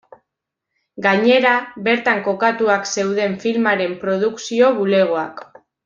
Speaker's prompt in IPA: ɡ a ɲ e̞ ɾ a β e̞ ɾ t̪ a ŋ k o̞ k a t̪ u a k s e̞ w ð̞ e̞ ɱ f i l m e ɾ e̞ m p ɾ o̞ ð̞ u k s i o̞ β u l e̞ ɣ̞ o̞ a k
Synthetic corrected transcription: ɡ a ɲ e̞ ɾ a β e̞ ɾ t̪ a ŋ k o̞ k a t̪ u a k s e̞ w ð̞ e̞ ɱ f i l m a ɾ e̞ m p ɾ o̞ ð̞ u k s i o̞ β u l e̞ ɣ̞ o̞ a k